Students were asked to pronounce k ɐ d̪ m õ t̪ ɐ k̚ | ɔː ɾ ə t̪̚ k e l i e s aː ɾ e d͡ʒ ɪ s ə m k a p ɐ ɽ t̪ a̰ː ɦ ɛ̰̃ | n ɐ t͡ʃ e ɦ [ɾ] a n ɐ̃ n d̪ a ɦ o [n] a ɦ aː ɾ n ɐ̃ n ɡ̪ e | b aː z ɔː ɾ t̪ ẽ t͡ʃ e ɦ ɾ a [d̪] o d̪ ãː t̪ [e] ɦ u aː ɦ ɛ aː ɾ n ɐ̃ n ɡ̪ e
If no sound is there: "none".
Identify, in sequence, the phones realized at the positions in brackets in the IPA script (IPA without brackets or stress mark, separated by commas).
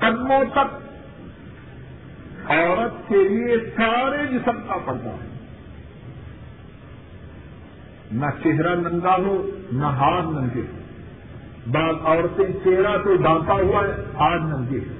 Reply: ɾ, n, t̪, a